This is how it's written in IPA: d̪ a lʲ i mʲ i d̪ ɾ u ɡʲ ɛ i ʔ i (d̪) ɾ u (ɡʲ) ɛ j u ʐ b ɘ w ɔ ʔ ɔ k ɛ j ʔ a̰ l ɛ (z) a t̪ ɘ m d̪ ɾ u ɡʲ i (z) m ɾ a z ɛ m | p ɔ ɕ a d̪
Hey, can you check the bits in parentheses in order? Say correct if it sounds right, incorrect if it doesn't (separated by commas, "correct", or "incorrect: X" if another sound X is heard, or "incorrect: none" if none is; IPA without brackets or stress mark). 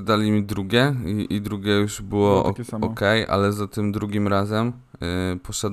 correct, correct, correct, incorrect: none